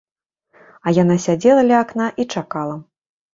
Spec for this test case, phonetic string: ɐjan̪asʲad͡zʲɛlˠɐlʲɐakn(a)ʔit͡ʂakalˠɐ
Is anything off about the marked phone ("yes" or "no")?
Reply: no